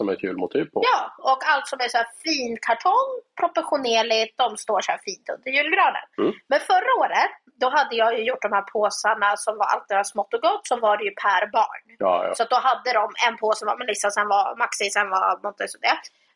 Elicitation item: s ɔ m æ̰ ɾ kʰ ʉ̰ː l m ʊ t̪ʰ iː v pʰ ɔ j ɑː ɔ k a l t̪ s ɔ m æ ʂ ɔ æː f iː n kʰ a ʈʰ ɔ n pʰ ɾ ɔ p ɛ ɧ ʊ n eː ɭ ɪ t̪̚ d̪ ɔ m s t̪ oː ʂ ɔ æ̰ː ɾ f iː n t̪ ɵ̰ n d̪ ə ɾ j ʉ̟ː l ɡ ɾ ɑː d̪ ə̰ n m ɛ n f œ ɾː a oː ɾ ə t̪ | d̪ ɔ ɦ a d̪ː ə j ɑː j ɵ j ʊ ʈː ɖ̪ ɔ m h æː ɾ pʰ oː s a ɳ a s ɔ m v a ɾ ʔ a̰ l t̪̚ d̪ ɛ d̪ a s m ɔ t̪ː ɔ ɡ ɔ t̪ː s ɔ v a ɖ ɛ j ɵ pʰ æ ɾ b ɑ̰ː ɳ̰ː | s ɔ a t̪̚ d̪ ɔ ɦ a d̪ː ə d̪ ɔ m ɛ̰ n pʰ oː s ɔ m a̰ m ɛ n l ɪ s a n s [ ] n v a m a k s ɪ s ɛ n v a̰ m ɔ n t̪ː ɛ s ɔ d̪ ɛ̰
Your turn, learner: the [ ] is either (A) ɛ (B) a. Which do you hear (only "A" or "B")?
A